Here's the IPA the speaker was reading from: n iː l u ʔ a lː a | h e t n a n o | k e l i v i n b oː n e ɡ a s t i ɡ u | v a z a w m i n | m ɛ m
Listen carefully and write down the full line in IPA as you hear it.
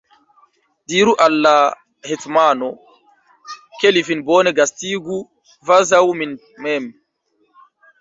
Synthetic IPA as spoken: d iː ɾ u ʔ a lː a | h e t m a n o | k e l i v i n b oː n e ɡ a s t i ɡ u | v a z a w m i n | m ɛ m